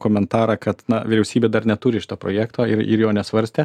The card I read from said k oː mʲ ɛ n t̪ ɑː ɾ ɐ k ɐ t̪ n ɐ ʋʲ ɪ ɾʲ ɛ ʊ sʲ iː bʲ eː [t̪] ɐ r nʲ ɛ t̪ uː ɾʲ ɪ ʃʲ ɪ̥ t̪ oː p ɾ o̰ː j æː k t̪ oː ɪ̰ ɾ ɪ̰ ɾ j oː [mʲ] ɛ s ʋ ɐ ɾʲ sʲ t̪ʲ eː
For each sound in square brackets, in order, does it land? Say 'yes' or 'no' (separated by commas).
no, no